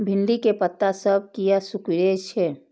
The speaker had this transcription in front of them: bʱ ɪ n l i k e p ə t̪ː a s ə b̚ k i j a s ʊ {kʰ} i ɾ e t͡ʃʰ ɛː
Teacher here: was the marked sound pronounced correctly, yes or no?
no